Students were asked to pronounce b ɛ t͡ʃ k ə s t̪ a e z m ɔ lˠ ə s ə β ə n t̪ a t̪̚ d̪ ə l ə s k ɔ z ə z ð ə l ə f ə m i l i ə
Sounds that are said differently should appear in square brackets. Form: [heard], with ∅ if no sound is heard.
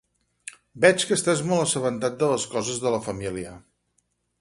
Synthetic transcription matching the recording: b ɛ t͡ʃ k ə s t̪ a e z m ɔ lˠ ə s ə β ə n t̪ a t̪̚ d̪ ə l ə s k ɔ z ə z ð ə l ə f ə m i l i ə